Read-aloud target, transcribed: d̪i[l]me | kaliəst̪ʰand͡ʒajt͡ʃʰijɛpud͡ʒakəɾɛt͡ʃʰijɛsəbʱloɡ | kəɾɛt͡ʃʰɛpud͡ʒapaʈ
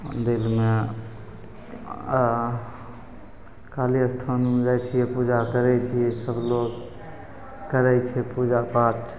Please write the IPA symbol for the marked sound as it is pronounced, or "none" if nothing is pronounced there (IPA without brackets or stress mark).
l